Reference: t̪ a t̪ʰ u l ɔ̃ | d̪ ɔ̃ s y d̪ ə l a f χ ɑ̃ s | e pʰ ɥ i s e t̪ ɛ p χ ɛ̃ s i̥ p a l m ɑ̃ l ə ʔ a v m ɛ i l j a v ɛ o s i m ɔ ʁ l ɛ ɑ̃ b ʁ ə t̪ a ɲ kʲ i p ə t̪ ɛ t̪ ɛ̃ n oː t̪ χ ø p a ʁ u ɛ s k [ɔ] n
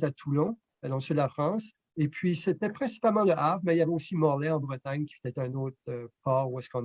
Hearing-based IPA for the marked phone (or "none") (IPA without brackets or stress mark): ɔ̃